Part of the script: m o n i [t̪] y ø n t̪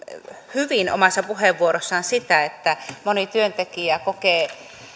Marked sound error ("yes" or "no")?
no